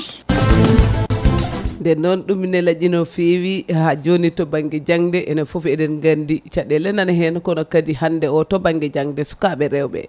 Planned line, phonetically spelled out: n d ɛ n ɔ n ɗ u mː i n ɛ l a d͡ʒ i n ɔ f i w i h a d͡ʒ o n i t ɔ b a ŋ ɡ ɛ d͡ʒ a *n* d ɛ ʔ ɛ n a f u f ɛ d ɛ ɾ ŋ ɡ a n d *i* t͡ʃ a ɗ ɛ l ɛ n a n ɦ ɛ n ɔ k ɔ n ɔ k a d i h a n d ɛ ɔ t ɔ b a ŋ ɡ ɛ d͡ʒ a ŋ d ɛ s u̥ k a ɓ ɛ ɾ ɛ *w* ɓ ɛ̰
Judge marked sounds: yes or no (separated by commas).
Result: no, yes, yes